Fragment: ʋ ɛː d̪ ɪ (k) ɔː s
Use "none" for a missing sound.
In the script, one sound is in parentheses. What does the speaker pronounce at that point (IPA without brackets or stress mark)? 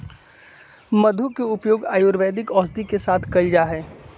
k